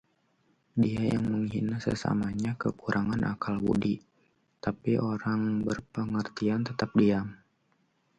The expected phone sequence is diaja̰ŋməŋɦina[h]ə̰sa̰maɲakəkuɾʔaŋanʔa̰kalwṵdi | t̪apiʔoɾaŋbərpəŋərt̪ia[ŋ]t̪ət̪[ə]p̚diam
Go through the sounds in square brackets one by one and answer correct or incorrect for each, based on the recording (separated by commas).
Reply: incorrect, incorrect, incorrect